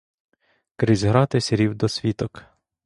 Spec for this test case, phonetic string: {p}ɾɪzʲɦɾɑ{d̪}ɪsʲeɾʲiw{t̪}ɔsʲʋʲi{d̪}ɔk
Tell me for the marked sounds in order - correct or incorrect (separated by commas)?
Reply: incorrect, incorrect, incorrect, incorrect